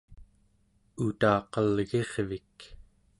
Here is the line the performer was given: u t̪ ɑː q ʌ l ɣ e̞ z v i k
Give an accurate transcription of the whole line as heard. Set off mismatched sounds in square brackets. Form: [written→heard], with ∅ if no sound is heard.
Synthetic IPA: u t̪ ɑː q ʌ l ɣ e̞ [z→ʁ] v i k